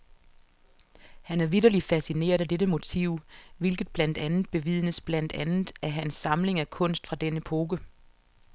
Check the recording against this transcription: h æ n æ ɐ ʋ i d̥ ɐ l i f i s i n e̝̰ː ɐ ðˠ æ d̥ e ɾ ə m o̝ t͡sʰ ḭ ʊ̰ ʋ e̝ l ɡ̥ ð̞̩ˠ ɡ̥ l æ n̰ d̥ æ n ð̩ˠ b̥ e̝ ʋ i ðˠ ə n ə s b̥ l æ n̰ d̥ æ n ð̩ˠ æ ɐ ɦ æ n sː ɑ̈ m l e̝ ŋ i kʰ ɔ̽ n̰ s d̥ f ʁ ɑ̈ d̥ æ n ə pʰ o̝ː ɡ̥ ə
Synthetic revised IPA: h æ n æ ɐ ʋ i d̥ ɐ l i f æ s i n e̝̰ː ɐ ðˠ æ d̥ e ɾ ə m o̝ t͡sʰ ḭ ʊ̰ ʋ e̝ l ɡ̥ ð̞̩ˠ b̥ l æ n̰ d̥ æ n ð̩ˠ b̥ e̝ ʋ i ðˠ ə n ə s b̥ l æ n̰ d̥ æ n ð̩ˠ æ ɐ ɦ æ n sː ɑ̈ m l e̝ ŋ æ kʰ ɔ̽ n̰ s d̥ f ʁ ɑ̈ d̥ e n ə pʰ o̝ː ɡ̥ ə